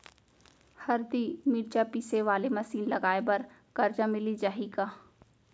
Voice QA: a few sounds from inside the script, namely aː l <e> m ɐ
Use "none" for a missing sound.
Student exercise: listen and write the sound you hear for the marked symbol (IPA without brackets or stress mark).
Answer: e